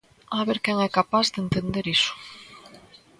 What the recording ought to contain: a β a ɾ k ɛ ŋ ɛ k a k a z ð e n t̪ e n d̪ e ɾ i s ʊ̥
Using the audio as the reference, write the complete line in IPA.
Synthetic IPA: a β e ɾ k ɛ ŋ ɛ k a p a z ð e n t̪ e n d̪ e ɾ i s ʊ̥